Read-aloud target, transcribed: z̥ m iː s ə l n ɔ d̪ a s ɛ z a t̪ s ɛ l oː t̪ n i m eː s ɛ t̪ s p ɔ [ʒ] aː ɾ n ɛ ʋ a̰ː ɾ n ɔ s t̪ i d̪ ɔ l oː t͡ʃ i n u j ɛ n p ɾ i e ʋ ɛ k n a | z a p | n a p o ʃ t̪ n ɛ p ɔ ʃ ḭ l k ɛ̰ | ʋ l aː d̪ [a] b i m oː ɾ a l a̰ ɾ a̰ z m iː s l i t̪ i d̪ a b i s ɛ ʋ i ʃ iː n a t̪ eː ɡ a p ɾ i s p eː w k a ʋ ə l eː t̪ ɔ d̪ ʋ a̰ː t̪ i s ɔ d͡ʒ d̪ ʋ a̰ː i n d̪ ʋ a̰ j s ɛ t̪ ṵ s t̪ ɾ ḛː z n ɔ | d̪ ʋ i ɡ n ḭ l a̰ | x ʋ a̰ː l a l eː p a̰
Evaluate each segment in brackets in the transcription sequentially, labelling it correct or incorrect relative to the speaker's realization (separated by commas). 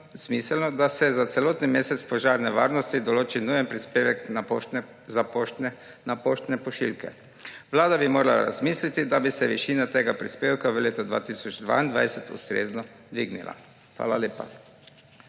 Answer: correct, correct